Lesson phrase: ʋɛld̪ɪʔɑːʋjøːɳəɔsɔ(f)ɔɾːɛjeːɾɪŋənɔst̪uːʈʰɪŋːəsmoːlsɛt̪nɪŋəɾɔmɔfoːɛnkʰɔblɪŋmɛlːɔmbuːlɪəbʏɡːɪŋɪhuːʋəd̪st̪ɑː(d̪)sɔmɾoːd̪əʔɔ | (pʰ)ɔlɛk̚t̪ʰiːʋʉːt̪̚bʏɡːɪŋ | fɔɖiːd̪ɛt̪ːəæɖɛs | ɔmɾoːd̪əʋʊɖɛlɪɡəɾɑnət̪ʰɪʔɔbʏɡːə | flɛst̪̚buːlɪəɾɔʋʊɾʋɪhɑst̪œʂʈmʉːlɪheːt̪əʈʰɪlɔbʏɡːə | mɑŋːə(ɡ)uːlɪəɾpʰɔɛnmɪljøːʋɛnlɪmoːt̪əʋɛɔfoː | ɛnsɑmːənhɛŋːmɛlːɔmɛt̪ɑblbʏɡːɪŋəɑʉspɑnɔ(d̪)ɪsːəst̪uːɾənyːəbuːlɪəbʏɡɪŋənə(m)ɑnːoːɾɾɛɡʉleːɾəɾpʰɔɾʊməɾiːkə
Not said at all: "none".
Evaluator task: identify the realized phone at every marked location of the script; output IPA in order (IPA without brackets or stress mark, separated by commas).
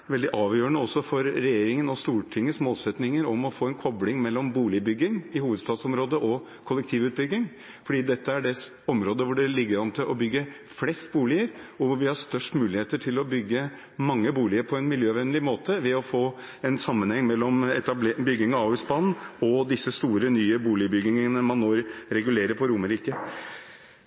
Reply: f, d̪, kʰ, b, d̪, m